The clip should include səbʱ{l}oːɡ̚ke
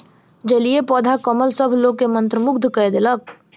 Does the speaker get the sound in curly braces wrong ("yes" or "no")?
no